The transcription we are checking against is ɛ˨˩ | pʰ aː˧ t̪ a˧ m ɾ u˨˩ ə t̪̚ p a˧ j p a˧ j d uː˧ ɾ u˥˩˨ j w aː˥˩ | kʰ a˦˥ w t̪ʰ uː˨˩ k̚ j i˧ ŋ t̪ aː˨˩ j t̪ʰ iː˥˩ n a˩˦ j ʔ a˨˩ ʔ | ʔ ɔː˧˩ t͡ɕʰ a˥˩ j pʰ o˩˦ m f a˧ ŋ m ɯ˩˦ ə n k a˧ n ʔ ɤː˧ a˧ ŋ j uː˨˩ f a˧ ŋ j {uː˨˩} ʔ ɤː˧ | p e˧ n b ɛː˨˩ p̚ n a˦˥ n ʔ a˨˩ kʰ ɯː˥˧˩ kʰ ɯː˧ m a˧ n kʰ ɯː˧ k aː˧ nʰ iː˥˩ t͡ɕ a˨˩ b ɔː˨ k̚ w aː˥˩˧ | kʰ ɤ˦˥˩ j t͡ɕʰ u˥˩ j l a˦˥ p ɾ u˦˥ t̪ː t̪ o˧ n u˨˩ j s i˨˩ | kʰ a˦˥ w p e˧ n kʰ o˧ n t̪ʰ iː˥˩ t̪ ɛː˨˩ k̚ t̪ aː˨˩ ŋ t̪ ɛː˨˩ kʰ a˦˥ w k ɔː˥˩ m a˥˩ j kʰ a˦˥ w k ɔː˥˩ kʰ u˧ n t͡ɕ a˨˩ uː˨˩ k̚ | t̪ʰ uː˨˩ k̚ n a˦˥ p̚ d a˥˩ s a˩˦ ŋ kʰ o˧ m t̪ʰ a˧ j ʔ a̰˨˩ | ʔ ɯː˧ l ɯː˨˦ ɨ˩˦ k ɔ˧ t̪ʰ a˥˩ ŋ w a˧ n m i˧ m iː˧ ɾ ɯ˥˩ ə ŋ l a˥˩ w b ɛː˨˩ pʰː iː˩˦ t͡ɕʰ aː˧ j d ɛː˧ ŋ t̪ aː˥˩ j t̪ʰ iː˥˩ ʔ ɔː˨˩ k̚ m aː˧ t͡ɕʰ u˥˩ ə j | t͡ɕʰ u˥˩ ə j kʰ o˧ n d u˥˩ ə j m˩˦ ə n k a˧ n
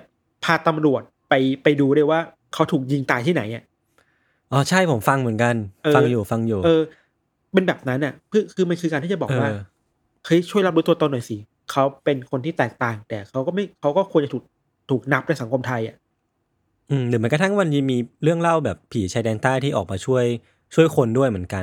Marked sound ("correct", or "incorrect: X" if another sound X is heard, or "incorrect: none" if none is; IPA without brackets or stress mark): correct